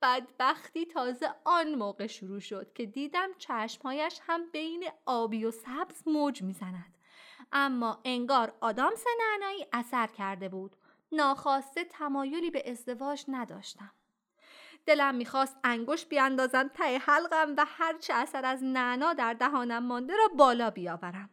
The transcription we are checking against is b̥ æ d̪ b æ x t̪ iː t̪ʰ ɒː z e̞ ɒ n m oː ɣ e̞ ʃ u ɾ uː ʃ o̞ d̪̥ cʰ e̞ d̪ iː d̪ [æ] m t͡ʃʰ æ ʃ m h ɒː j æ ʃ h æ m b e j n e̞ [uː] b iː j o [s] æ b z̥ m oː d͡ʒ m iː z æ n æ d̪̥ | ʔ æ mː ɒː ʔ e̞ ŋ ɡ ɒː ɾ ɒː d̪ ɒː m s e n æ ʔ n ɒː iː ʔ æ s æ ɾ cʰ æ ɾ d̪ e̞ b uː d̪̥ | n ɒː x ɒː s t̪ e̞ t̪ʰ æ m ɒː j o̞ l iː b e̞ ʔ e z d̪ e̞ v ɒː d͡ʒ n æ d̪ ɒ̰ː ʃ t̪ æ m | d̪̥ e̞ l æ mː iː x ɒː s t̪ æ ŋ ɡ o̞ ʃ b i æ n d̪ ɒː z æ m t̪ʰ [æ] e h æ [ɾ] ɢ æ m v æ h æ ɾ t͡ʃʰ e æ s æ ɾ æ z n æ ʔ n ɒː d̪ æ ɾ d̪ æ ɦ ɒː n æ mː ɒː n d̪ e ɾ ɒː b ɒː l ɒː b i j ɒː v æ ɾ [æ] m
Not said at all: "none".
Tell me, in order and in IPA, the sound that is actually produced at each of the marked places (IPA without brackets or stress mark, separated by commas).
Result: æ, ɒː, s, æ, l, æ